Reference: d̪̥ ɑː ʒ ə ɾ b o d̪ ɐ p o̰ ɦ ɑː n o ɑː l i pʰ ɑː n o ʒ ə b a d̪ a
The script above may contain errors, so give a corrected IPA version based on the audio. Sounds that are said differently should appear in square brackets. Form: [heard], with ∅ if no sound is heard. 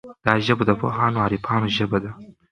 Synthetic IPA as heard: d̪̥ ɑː ʒ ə [∅] b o d̪ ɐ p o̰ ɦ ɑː n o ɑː [ɾ] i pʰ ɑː n o ʒ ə b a d̪ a